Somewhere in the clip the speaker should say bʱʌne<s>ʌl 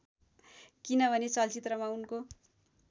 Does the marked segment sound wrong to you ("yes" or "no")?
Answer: yes